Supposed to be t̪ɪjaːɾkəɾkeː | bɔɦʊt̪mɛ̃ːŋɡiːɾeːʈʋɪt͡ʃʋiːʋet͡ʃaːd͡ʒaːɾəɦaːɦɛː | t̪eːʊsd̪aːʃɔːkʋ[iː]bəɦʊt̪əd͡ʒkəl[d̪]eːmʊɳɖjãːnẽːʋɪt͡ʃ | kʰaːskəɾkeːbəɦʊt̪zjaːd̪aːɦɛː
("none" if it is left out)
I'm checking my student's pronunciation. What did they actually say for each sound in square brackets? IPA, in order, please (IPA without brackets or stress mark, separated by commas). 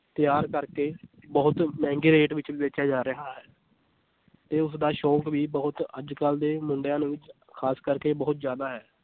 iː, d̪